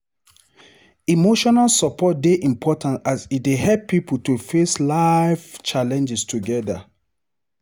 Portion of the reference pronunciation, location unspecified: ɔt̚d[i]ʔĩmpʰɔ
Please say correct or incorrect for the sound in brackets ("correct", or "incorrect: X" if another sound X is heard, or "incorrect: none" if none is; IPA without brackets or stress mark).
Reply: incorrect: e